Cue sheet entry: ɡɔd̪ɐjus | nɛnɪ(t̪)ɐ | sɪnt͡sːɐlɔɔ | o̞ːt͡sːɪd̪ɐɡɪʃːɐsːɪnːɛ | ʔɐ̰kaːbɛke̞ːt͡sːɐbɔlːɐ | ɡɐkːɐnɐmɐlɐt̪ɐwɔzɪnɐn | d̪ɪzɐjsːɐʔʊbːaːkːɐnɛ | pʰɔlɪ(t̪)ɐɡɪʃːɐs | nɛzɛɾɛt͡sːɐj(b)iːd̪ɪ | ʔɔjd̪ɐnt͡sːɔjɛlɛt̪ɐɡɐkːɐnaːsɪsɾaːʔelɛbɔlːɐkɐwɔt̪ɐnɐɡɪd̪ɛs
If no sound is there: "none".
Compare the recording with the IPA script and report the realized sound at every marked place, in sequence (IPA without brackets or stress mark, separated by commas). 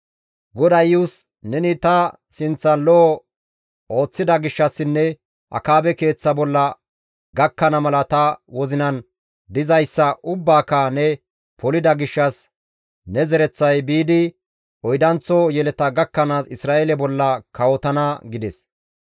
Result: t̪, d̪, b